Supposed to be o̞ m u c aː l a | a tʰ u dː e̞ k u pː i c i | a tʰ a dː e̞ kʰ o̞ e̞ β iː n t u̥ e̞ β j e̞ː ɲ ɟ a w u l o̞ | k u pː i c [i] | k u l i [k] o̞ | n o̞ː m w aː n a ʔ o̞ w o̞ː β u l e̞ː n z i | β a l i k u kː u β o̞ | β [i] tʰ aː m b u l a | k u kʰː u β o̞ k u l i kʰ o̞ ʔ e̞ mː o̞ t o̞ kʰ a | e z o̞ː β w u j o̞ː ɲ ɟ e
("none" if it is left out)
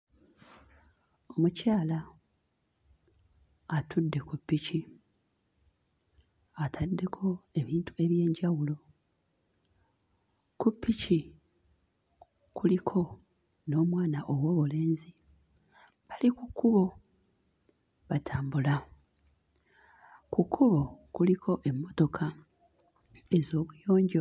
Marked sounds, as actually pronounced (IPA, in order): i, kʰ, a

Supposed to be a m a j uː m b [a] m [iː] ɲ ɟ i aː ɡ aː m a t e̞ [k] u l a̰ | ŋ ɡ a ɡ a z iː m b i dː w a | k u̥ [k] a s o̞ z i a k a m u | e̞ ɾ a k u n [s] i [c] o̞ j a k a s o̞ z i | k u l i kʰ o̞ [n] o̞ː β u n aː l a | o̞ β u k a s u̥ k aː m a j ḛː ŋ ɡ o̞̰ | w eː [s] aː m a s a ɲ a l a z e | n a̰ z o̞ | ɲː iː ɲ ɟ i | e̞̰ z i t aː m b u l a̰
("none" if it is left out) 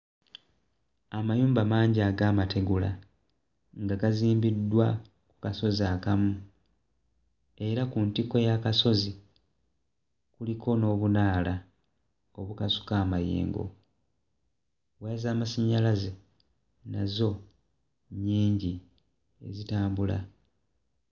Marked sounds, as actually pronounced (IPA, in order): a, aː, ɡ, k, t, k, n, z

